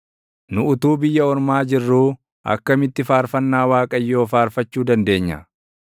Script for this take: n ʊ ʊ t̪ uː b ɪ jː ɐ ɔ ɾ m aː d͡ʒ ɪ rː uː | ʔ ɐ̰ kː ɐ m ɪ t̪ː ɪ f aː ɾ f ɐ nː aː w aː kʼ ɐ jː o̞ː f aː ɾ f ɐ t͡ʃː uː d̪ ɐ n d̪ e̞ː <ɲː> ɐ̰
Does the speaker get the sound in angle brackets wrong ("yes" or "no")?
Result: no